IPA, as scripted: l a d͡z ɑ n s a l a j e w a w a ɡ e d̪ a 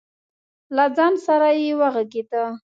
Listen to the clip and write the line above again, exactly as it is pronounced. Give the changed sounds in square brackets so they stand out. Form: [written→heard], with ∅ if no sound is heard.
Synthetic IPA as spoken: l a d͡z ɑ n s a [l→ɾ] a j e w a [w→ɣ] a ɡ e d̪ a